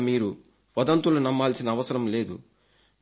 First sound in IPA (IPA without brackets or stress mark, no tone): m